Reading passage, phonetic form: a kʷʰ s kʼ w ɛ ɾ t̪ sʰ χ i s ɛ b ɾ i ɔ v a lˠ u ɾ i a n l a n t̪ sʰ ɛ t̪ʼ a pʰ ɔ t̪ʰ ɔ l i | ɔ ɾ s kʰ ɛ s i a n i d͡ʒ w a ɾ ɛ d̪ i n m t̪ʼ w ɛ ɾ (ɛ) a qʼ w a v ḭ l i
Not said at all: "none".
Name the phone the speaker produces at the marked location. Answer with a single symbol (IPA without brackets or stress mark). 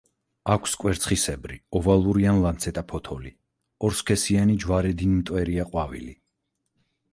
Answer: i